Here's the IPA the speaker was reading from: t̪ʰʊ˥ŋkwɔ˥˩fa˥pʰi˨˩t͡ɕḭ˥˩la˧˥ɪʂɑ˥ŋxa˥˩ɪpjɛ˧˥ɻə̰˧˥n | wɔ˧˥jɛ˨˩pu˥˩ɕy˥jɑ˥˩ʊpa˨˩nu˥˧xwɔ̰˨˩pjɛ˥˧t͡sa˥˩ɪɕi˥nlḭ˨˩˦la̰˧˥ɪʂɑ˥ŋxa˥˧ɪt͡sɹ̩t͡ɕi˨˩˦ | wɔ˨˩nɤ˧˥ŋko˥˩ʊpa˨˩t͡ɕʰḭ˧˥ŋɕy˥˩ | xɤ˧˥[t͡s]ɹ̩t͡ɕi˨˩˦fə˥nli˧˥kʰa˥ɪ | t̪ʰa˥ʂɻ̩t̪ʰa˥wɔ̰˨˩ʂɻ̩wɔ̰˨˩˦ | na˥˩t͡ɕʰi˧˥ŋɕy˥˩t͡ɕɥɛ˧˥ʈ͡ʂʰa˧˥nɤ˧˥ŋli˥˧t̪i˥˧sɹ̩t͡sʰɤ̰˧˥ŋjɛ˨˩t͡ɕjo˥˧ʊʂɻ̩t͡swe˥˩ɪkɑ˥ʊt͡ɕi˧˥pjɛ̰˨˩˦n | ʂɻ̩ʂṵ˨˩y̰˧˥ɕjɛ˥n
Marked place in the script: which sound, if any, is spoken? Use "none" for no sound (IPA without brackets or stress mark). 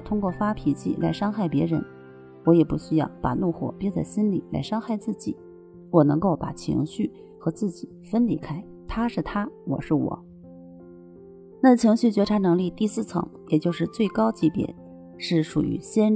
t͡s